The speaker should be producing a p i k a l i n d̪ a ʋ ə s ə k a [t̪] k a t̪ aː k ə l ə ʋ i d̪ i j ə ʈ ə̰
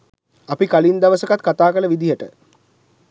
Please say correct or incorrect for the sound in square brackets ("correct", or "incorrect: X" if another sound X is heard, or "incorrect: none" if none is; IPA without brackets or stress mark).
correct